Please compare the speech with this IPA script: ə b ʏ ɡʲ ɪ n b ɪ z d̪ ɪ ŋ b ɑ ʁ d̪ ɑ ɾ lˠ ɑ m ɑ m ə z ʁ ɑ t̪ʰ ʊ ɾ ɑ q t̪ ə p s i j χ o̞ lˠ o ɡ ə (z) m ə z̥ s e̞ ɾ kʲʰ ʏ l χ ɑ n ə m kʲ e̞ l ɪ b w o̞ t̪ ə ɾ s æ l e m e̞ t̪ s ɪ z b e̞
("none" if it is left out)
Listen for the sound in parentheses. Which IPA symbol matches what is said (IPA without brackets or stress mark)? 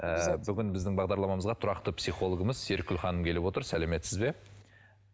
none